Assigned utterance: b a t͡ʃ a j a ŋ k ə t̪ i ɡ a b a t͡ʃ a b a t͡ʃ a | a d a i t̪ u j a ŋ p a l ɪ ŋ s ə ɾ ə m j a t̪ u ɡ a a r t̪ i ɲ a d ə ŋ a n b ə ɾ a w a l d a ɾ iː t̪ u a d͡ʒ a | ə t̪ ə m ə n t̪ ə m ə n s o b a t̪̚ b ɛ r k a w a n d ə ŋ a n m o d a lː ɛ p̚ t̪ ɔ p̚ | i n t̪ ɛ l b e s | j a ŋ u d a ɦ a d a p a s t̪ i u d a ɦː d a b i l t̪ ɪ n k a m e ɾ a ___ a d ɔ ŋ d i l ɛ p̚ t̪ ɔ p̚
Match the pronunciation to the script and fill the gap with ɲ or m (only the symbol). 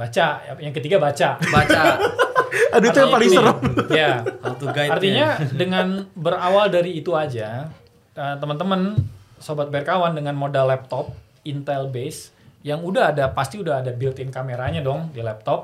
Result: ɲ